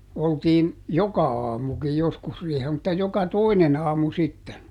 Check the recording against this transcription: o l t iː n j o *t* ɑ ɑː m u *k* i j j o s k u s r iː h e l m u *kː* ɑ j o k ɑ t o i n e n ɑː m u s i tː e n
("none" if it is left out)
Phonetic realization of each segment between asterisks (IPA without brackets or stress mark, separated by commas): k, k, tː